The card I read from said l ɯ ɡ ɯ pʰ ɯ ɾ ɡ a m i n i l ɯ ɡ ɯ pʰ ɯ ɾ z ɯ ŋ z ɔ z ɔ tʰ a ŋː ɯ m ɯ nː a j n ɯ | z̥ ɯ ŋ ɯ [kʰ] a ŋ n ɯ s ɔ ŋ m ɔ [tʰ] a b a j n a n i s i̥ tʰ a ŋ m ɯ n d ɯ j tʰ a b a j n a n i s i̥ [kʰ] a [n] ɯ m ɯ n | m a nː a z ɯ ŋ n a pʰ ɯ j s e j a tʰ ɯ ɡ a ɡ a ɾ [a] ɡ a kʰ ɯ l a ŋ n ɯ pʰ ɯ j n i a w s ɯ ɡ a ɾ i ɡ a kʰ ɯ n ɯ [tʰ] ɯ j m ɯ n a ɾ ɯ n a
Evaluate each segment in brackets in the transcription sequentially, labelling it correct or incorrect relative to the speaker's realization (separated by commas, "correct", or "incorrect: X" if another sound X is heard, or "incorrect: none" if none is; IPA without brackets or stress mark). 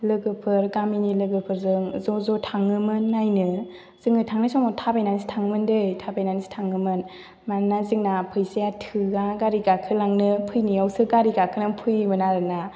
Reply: incorrect: tʰ, correct, incorrect: tʰ, incorrect: ŋ, incorrect: i, incorrect: pʰ